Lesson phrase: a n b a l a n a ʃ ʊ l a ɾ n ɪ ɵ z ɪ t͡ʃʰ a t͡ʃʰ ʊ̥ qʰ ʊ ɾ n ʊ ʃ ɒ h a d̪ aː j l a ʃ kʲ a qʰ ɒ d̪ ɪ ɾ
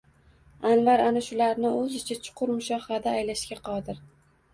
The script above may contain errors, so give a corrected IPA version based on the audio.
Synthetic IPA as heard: a n v a ɾ a n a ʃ ʊ l a ɾ n ɪ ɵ z ɪ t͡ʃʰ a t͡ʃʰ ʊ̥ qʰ ʊ ɾ m ʊ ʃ ɒ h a d̪ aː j l a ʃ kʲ a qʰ ɒ d̪ ɪ ɾ